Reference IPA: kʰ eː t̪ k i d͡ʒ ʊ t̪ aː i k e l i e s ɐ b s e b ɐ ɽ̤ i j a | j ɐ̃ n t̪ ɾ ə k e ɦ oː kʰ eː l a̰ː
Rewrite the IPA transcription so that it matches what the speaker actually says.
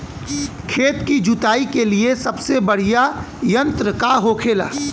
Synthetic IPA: kʰ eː t̪ k i d͡ʒ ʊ t̪ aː i k e l i e s ɐ b s e b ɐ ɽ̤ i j a | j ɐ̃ n t̪ ɾ ə k a ɦ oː kʰ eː l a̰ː